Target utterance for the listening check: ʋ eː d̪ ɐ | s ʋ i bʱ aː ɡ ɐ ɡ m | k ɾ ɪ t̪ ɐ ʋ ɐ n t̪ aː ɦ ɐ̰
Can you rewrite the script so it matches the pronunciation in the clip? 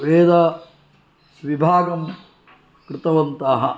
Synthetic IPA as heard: ʋ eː d̪ ɐ | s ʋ i bʱ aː ɡ ɐ m | k ɾ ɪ t̪ ɐ ʋ ɐ n t̪ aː ɦ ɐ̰